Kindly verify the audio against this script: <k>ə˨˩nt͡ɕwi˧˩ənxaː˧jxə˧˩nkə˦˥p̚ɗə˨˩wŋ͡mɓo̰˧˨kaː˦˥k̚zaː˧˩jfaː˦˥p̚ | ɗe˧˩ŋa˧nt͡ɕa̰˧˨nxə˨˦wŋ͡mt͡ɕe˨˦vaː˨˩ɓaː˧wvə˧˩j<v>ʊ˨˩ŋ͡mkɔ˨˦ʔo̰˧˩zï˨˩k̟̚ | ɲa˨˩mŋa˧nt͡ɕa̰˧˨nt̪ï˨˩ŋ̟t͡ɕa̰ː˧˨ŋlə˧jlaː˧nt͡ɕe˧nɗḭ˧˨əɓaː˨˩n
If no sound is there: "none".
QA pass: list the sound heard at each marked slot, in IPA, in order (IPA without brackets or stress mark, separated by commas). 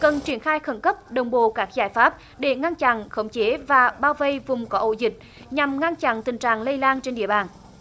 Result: k, v